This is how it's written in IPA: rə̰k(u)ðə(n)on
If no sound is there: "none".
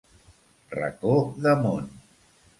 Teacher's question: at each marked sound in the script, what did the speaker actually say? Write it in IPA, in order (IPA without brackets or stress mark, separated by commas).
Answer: o, m